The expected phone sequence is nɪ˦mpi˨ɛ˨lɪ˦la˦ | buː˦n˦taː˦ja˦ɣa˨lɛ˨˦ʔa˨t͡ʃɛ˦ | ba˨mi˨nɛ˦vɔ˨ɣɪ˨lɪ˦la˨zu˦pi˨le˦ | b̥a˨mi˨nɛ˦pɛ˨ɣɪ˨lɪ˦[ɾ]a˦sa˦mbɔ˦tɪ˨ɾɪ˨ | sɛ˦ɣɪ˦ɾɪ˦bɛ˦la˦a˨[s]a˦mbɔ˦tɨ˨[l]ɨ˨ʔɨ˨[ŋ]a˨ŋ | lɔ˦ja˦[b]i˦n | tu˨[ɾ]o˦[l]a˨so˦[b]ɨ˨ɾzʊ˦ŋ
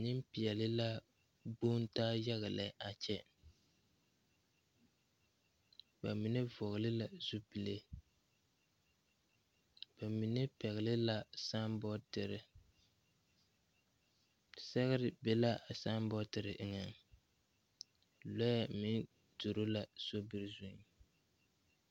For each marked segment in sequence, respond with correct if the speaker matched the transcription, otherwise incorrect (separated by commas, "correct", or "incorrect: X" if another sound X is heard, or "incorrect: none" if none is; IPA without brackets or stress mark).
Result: incorrect: l, correct, incorrect: ɾ, correct, incorrect: m, correct, correct, correct